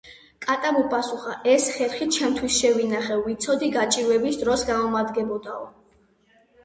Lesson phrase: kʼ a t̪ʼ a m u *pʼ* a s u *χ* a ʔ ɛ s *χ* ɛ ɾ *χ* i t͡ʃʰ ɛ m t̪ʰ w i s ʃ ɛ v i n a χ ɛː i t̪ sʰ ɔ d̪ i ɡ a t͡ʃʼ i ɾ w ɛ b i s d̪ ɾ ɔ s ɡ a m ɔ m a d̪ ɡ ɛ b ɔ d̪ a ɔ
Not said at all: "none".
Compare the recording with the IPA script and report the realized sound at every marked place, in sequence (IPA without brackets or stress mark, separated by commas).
pʼ, χ, χ, χ